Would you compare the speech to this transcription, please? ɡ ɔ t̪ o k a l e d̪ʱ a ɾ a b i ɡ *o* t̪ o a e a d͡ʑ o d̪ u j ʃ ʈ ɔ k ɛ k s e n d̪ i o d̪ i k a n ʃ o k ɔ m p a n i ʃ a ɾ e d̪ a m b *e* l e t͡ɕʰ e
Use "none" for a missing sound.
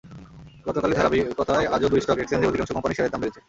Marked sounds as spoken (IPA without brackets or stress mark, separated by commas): ɔ, e